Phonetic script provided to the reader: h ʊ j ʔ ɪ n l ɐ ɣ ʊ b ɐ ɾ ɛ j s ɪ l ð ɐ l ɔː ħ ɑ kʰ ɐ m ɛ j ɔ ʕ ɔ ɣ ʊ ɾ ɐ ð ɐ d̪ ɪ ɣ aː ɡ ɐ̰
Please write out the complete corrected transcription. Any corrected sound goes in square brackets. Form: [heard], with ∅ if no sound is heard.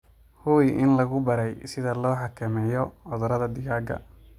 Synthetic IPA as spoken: h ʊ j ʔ ɪ n l ɐ ɣ ʊ b ɐ ɾ ɛ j s ɪ [∅] ð ɐ l ɔː ħ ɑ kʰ ɐ m ɛ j ɔ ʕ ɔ [ð] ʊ ɾ ɐ ð ɐ d̪ ɪ ɣ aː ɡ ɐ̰